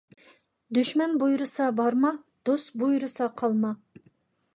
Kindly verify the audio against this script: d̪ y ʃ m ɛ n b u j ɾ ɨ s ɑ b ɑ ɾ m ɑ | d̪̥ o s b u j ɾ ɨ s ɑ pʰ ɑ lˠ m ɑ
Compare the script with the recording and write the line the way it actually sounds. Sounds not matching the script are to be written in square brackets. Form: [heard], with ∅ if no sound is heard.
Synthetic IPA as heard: d̪ y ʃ m ɛ n b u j ɾ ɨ s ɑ b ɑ ɾ m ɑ | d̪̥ o s b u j ɾ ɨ s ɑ [qʰ] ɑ lˠ m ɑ

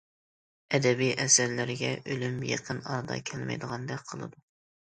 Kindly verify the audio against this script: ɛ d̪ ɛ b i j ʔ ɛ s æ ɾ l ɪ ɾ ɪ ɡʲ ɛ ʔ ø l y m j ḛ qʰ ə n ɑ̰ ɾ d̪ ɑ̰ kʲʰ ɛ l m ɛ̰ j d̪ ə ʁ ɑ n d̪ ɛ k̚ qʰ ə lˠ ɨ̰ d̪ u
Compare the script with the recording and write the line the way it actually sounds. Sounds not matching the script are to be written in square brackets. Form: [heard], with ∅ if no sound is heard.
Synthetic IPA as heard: ɛ d̪ ɛ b i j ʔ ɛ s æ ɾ l ɪ ɾ ɪ ɡʲ ɛ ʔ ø l y m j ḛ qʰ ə n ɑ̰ ɾ d̪ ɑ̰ kʲʰ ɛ l m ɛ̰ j d̪ ə ʁ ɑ n d̪ ɛ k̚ qʰ ə lˠ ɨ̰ d̪ u

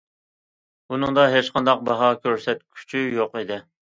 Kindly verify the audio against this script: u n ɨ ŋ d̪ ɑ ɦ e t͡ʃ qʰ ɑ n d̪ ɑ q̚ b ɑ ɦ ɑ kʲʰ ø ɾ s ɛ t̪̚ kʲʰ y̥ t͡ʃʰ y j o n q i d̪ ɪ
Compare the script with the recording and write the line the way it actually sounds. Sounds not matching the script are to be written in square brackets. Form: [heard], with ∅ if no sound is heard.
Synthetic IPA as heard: u n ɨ ŋ d̪ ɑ ɦ e t͡ʃ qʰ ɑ n d̪ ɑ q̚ b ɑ ɦ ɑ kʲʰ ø ɾ s ɛ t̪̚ kʲʰ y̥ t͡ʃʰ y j o [∅] q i d̪ ɪ

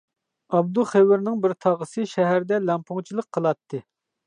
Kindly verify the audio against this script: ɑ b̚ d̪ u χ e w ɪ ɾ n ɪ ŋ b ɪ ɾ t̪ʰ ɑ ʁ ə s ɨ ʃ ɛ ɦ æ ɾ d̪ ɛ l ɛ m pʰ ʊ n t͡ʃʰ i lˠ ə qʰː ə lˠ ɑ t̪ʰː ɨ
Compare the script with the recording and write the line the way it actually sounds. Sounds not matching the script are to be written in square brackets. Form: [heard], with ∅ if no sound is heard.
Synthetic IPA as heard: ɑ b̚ d̪ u χ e w ɪ ɾ n ɪ ŋ b ɪ ɾ t̪ʰ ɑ ʁ ə s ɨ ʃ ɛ ɦ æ ɾ d̪ ɛ l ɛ m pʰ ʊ [ŋ] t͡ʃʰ i lˠ ə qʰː ə lˠ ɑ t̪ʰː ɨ

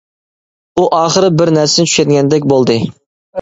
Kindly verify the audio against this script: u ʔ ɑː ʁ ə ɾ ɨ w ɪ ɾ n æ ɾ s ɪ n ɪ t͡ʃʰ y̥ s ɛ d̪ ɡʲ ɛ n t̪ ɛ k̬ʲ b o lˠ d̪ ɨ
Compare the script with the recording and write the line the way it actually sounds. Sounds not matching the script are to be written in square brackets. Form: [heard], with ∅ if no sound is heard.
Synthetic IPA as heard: u ʔ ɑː [χ] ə ɾ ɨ [b] ɪ ɾ n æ ɾ s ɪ n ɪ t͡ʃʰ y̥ [ʃ] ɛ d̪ ɡʲ ɛ n [d̪] ɛ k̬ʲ b o lˠ d̪ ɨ

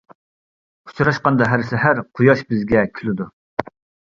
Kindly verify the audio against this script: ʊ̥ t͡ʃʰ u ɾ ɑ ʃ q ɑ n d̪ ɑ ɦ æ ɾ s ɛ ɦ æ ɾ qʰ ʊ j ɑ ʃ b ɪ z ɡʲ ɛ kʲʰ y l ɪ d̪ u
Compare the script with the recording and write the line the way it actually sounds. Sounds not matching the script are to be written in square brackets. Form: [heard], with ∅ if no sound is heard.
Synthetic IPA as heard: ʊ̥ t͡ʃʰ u ɾ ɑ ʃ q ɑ n d̪ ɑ ɦ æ ɾ s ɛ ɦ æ ɾ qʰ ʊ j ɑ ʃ b ɪ z ɡʲ ɛ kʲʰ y l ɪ d̪ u

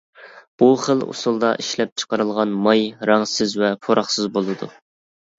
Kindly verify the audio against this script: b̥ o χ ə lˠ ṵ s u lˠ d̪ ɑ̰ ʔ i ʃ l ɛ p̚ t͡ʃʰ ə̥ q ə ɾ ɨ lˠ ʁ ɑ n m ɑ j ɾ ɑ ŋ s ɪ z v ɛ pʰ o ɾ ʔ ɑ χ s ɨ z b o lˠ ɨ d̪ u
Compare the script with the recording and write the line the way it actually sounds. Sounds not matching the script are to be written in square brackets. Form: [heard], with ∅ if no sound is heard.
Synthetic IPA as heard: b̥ [u] χ ə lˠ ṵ s u lˠ d̪ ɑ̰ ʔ i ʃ l ɛ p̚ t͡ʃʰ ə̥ q ə ɾ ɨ lˠ ʁ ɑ n m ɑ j ɾ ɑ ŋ s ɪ z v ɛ pʰ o ɾ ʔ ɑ χ s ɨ z b o lˠ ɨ d̪ u

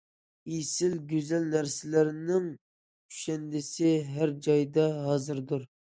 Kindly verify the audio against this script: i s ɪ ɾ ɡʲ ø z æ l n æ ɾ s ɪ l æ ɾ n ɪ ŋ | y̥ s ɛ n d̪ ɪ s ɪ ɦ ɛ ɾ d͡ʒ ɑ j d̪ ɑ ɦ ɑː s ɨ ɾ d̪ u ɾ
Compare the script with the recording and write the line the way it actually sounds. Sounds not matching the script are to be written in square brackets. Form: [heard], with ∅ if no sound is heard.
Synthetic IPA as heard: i s ɪ [l] ɡʲ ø z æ l n æ ɾ s ɪ l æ ɾ n ɪ ŋ | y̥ [ʃ] ɛ n d̪ ɪ s ɪ ɦ [æ] ɾ d͡ʒ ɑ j d̪ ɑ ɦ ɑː [z] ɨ ɾ d̪ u ɾ

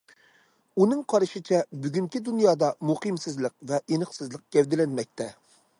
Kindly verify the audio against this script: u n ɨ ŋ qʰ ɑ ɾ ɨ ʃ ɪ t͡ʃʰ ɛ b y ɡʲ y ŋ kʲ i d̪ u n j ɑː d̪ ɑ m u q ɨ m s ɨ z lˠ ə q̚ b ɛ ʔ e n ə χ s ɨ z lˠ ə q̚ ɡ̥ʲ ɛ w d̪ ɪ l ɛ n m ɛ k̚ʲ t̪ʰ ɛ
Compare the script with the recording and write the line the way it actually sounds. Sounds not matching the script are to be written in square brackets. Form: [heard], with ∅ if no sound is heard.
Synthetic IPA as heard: u n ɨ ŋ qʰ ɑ ɾ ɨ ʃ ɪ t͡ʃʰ ɛ b y ɡʲ y ŋ kʲ i d̪ u n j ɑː d̪ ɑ m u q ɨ m s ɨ z lˠ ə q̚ [v] ɛ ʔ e n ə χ s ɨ z lˠ ə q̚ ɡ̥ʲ ɛ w d̪ ɪ l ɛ n m ɛ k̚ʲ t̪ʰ ɛ

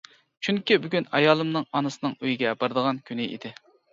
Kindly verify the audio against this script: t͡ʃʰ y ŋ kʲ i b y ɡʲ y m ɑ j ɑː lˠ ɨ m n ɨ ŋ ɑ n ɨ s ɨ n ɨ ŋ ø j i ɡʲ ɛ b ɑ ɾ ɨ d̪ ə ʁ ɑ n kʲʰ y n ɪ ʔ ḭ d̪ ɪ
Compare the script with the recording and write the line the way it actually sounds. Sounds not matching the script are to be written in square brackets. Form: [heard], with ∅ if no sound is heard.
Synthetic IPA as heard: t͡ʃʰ y ŋ kʲ i b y ɡʲ y [n] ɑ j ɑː lˠ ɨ m n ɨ ŋ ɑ n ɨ s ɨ n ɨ ŋ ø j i ɡʲ ɛ b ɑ ɾ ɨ d̪ ə ʁ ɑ n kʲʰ y n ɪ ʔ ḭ d̪ ɪ

